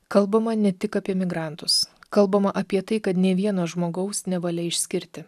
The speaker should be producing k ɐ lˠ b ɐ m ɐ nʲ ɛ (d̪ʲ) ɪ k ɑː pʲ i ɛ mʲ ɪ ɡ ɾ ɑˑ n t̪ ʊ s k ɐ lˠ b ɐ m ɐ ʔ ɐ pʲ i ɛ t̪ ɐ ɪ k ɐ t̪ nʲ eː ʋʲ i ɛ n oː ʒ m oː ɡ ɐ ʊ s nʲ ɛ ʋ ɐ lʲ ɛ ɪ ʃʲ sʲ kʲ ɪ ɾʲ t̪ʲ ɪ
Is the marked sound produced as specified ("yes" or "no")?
no